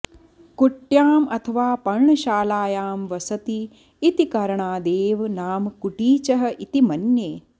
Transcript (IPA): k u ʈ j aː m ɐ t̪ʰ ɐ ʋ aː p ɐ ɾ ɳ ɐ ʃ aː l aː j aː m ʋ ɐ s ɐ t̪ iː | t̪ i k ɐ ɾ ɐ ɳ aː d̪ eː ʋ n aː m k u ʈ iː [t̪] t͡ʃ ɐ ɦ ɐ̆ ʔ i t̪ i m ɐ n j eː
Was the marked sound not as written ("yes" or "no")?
yes